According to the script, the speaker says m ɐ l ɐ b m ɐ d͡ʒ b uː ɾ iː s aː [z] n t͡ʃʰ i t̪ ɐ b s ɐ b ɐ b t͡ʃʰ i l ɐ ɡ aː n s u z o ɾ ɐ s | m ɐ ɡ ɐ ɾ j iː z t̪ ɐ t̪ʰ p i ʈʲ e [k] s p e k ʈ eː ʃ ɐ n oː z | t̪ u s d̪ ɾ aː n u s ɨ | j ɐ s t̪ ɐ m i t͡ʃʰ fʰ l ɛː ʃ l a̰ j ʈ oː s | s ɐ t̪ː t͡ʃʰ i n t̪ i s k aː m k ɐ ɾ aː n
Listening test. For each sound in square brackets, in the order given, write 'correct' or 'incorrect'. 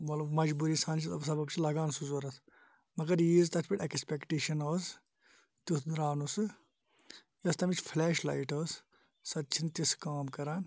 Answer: incorrect, correct

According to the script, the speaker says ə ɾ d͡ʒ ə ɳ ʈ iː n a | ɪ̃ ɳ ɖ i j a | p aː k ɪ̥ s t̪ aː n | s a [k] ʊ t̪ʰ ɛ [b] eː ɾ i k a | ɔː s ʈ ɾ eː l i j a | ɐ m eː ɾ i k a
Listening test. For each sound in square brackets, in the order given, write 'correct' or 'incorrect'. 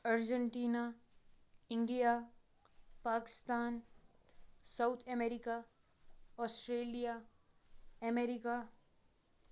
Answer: incorrect, incorrect

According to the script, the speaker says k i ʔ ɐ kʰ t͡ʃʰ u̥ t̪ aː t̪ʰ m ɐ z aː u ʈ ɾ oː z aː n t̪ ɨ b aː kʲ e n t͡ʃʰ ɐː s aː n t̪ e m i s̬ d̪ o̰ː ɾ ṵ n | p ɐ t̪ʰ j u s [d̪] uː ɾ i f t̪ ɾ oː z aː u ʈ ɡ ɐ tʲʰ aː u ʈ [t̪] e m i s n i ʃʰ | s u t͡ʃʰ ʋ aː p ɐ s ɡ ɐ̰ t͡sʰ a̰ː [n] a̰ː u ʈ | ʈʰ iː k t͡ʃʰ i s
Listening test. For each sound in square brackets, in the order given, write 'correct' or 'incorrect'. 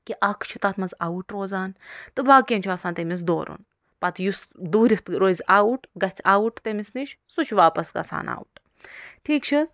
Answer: correct, correct, correct

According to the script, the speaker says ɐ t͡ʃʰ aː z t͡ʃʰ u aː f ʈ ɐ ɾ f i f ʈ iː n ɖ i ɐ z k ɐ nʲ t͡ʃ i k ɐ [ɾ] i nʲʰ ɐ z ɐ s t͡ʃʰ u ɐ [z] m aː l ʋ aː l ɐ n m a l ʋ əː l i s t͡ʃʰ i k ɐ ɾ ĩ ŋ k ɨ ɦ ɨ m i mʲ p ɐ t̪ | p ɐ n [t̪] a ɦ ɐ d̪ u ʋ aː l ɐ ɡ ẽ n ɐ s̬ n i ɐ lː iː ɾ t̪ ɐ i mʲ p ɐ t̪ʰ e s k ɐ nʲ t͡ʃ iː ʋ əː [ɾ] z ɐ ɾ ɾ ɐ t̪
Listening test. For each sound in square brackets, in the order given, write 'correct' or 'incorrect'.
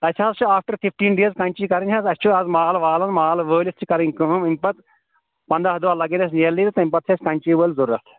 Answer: correct, correct, incorrect, incorrect

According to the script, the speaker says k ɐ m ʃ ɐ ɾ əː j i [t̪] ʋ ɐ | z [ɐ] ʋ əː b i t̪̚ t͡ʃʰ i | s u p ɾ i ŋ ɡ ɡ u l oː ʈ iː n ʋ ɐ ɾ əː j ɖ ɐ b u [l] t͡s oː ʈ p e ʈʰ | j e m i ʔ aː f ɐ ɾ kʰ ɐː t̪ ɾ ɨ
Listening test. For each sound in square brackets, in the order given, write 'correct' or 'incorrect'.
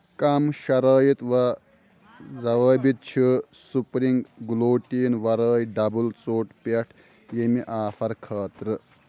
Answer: correct, correct, correct

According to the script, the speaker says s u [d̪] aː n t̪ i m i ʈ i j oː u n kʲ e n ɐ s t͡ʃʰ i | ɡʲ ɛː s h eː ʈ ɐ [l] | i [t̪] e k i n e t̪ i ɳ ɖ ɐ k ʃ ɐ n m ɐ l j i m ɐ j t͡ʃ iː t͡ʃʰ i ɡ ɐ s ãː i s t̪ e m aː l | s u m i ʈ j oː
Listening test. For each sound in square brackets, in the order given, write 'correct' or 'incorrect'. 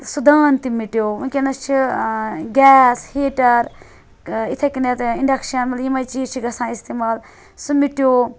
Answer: correct, incorrect, incorrect

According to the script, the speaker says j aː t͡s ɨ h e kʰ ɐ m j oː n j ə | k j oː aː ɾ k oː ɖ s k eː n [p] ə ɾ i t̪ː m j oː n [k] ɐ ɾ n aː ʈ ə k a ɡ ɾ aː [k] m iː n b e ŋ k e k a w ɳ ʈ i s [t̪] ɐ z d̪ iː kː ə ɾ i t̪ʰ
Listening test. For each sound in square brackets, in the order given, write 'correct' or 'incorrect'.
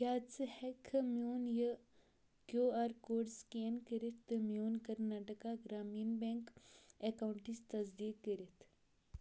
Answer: incorrect, correct, incorrect, correct

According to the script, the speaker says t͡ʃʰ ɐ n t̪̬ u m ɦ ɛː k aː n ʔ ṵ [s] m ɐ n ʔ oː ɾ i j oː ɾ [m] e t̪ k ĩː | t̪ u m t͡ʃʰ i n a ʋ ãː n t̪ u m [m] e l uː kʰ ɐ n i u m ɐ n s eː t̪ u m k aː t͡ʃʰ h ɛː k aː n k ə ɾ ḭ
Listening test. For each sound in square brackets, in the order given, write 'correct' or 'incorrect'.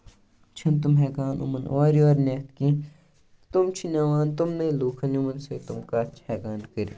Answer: incorrect, incorrect, incorrect

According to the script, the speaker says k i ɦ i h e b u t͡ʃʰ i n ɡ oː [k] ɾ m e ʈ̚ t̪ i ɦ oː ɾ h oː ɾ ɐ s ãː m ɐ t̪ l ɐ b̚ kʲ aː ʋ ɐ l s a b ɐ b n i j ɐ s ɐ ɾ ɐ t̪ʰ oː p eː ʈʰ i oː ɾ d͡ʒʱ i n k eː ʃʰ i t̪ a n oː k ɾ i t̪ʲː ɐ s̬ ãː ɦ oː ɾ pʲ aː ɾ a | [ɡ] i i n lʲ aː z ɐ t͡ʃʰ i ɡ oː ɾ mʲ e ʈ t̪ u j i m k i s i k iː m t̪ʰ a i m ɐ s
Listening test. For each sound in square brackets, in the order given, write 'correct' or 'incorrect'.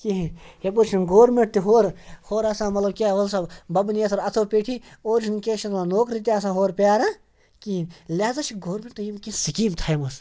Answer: incorrect, incorrect

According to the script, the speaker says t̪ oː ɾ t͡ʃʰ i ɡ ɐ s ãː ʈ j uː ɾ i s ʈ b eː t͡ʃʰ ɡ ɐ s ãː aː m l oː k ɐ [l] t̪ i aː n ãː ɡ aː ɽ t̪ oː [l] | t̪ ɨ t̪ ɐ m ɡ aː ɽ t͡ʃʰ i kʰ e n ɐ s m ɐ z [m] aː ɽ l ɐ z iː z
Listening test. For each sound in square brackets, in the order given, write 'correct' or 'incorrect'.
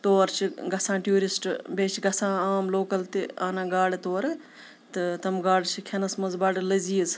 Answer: correct, incorrect, incorrect

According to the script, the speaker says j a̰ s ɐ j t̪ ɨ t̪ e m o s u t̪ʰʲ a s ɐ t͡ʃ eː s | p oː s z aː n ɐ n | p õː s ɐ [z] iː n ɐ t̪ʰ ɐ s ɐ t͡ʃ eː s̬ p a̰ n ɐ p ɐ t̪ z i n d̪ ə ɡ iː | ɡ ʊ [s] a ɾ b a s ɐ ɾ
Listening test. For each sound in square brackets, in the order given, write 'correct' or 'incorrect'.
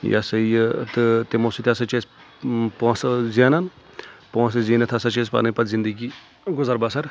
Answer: correct, incorrect

